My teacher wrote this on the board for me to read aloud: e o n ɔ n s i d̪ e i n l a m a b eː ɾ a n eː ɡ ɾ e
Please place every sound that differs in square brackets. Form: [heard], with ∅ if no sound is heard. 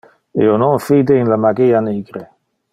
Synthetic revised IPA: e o n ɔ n [f] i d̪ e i n l a m a [ɡ] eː [∅] a n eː ɡ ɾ e